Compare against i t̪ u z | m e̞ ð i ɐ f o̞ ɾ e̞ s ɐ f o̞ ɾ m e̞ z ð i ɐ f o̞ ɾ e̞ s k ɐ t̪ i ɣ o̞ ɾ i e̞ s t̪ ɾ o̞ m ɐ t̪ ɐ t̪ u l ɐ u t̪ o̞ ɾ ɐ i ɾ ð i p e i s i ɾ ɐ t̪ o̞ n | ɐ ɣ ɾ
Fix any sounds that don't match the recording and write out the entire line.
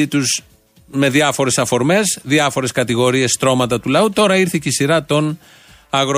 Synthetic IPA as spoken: i t̪ u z | m e̞ ð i ɐ f o̞ ɾ e̞ s ɐ f o̞ ɾ m e̞ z ð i ɐ f o̞ ɾ e̞ s k ɐ t̪ i ɣ o̞ ɾ i e̞ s t̪ ɾ o̞ m ɐ t̪ ɐ t̪ u l ɐ u t̪ o̞ ɾ ɐ i ɾ θ i c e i s i ɾ ɐ t̪ o̞ n | ɐ ɣ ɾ